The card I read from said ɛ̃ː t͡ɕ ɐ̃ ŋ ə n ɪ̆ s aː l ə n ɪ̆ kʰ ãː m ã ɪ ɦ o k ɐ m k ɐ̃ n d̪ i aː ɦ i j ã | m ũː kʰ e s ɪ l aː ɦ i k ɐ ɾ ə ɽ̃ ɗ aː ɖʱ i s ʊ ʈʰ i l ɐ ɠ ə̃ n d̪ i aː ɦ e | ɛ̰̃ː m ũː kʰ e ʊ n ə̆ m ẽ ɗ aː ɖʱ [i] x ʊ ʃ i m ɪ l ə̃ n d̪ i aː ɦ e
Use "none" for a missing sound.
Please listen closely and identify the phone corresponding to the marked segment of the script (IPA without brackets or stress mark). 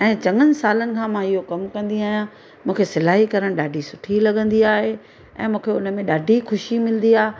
i